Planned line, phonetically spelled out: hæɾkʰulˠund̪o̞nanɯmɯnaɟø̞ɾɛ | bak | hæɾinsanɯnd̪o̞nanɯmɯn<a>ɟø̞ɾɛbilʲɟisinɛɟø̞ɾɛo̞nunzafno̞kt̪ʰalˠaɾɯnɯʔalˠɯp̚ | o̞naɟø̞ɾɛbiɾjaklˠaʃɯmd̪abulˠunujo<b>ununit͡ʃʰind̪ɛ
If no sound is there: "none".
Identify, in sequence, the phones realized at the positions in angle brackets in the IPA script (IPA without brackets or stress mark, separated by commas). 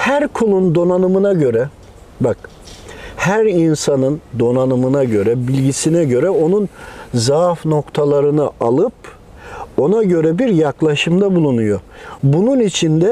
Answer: a, b